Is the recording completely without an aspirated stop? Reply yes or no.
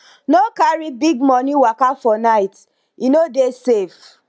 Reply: yes